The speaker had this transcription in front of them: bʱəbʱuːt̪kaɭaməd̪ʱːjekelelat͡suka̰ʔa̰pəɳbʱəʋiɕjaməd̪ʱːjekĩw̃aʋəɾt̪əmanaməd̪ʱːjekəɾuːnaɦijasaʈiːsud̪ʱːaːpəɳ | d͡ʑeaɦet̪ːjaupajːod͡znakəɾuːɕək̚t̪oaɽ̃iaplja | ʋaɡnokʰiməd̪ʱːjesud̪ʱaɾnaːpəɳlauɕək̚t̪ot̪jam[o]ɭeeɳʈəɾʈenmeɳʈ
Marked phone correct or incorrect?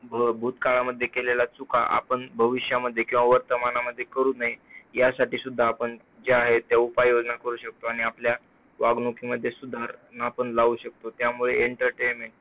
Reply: incorrect